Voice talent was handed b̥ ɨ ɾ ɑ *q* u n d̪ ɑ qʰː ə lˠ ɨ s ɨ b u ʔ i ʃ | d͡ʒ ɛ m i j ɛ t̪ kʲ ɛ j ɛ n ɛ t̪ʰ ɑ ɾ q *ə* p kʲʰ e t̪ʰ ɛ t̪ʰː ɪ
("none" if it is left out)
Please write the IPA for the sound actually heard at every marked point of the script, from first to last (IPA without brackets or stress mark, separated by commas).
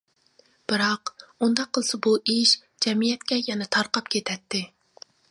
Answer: q, ɑ